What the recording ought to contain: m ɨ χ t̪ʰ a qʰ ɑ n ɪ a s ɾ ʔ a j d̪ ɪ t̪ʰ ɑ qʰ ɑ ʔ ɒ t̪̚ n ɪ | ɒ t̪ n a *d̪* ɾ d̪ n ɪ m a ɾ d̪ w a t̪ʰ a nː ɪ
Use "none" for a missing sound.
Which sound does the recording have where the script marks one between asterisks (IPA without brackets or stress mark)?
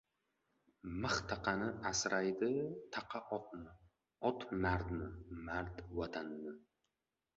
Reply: none